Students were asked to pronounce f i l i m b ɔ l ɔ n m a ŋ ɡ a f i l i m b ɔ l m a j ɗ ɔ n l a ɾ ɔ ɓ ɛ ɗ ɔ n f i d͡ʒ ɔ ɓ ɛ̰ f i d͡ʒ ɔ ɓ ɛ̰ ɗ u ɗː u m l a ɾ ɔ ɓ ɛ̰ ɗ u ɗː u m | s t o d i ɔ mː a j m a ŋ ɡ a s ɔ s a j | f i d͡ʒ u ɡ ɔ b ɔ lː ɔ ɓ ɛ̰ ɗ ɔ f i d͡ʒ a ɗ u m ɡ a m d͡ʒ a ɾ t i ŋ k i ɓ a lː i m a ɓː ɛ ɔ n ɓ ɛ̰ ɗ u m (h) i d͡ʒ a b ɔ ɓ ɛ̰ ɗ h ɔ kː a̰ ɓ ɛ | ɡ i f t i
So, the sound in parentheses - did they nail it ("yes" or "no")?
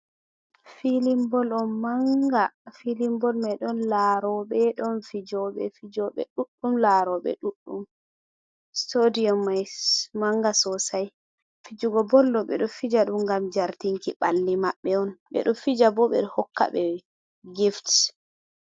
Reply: no